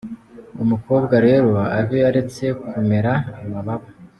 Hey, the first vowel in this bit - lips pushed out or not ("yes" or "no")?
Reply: yes